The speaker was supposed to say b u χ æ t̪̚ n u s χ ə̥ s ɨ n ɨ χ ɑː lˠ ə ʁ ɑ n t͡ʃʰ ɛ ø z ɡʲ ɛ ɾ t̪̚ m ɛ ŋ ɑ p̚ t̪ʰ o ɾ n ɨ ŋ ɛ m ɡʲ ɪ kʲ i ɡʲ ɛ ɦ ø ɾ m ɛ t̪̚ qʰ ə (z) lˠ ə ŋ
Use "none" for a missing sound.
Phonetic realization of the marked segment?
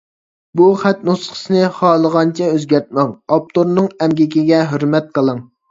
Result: none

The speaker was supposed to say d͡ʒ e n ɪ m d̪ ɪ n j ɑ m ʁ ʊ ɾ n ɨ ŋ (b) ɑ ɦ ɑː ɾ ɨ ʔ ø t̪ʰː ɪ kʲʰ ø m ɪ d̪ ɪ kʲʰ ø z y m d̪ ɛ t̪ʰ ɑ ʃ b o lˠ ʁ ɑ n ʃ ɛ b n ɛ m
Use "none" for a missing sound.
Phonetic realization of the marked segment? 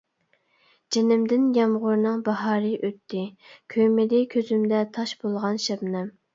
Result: b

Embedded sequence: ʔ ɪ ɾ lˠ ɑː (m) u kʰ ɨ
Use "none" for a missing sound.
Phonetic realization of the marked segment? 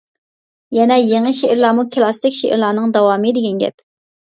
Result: m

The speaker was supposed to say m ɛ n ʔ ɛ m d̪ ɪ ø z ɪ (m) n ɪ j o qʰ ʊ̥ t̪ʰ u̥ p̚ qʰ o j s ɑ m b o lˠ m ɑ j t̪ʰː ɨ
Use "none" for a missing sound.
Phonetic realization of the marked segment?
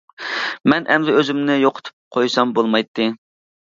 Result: m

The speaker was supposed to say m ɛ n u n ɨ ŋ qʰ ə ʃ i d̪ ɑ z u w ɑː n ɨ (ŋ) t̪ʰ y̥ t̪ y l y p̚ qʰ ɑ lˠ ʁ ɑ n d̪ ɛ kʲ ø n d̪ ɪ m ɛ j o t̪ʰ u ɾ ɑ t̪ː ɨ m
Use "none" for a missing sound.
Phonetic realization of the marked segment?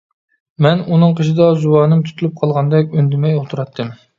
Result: m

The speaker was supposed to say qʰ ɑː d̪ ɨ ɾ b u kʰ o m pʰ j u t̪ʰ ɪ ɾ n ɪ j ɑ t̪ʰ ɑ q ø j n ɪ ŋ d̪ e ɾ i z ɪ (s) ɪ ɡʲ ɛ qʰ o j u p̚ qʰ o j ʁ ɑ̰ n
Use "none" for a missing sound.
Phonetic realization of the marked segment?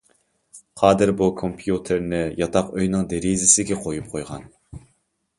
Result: s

